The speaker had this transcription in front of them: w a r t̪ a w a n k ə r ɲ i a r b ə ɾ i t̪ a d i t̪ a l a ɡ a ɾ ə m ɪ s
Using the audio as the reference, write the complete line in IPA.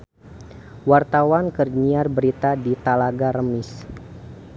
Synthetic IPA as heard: w a r t̪ a w a n k ə r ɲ i a r b ə ɾ i t̪ a d i t̪ a l a ɡ a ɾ ə m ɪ s